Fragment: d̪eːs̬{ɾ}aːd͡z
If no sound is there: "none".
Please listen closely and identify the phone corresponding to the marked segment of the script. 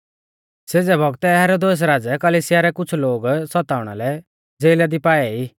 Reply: ɾ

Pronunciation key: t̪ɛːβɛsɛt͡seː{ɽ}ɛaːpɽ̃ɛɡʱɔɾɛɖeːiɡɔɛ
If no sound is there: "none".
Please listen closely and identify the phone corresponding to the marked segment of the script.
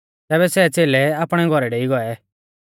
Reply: l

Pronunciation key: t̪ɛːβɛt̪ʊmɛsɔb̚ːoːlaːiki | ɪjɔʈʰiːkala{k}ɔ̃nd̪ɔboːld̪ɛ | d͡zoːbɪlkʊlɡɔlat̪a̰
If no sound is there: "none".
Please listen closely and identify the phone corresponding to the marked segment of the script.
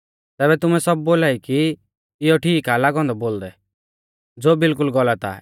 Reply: ɡ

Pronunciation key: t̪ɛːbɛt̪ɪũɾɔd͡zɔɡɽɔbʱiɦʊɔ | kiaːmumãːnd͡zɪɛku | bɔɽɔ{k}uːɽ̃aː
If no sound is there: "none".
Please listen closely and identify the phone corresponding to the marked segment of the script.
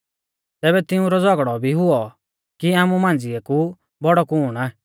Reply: k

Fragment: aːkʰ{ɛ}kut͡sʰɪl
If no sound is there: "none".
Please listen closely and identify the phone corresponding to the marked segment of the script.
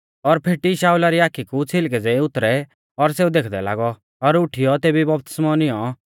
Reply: i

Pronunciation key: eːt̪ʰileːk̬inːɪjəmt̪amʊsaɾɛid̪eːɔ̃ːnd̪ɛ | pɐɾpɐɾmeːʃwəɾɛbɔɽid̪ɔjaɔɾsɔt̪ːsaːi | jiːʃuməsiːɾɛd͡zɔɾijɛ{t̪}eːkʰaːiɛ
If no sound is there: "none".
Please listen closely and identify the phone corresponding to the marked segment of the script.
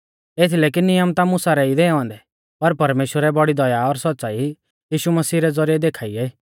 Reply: d̪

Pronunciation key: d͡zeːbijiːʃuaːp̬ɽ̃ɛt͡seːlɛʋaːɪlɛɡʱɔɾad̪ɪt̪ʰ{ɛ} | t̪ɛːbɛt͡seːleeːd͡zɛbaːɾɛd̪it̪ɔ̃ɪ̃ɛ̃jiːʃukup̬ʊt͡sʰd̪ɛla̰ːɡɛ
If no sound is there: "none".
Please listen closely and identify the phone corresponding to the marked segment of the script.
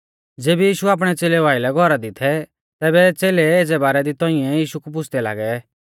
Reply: ɛ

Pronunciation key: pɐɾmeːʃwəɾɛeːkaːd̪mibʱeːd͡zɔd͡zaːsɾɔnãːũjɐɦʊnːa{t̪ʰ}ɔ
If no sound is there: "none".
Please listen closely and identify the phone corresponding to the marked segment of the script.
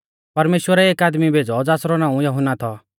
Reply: t̪ʰ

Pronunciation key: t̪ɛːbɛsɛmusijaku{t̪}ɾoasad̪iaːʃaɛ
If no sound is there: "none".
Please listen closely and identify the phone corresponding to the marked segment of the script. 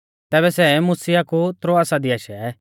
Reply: t̪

